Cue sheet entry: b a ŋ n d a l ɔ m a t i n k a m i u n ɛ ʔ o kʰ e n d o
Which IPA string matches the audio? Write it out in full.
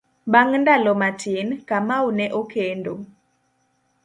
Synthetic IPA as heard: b a ŋ n d a l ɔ m a t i n k a m a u n ɛ ʔ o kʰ e n d o